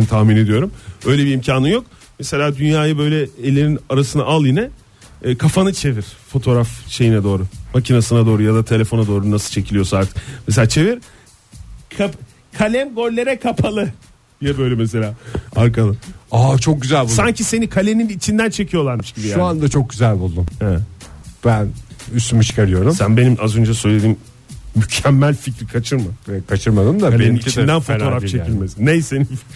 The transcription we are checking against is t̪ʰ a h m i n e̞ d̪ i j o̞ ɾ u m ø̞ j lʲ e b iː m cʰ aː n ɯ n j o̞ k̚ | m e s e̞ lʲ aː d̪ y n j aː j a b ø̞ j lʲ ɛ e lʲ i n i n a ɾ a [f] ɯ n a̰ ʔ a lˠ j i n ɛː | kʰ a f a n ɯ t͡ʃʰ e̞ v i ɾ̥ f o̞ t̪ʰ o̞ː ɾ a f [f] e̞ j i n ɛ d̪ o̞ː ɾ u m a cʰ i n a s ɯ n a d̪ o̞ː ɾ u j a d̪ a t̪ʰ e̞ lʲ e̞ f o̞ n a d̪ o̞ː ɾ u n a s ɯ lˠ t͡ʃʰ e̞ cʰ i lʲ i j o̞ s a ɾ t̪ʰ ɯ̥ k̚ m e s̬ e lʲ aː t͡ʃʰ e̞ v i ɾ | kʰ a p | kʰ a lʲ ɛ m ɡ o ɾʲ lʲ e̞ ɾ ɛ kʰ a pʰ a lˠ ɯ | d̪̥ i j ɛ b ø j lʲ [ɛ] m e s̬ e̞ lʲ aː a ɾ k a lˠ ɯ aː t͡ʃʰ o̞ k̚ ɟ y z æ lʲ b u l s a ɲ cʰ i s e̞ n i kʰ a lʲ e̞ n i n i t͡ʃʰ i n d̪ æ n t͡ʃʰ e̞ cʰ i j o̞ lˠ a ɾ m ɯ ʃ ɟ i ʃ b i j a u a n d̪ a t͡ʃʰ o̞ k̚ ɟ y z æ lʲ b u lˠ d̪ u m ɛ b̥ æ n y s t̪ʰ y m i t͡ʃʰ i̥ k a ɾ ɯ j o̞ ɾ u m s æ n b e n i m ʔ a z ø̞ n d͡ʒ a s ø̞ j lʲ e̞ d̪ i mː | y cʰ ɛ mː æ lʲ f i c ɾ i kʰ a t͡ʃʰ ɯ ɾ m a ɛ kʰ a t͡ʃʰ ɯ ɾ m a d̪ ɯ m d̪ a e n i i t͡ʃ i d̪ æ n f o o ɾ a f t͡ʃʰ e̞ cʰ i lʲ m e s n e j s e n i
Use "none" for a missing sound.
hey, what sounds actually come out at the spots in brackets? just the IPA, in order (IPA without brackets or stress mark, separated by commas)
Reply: s, ʃ, ɛ